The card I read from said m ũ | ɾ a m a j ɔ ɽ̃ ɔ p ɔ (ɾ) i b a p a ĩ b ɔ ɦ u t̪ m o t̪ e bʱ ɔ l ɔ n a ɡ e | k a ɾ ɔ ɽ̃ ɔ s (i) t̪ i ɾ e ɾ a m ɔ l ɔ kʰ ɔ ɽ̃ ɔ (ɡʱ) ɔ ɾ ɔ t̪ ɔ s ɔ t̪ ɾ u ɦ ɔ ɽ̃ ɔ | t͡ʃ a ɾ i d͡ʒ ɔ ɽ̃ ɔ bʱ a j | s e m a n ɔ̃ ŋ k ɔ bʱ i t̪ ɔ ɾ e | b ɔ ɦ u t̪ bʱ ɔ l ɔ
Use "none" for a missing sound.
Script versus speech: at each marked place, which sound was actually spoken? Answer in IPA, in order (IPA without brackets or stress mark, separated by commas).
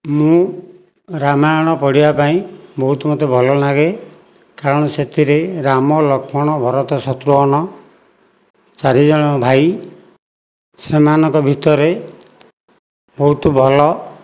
ɽ, e, bʱ